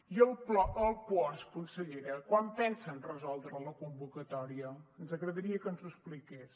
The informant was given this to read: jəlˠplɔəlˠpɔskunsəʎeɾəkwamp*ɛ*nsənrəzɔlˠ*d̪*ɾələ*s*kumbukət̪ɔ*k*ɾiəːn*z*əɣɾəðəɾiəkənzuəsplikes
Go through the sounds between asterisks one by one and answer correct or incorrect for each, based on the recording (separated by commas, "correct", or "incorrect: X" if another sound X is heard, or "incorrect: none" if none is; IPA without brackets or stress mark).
correct, correct, incorrect: none, incorrect: none, correct